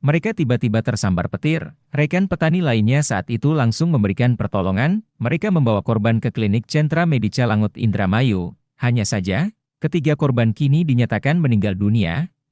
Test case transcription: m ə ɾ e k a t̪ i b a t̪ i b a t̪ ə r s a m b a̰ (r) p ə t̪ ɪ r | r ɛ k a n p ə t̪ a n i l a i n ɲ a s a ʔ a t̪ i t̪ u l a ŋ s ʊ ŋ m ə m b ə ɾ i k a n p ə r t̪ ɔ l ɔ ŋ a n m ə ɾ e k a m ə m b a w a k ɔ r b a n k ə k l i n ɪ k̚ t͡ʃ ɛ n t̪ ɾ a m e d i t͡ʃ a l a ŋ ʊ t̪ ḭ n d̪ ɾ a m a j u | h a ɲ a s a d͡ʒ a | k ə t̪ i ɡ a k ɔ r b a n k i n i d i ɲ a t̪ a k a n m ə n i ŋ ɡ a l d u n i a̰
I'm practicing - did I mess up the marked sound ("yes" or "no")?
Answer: no